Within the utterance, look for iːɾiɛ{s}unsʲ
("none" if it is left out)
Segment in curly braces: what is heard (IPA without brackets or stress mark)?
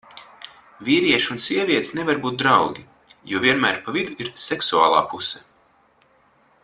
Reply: ʃ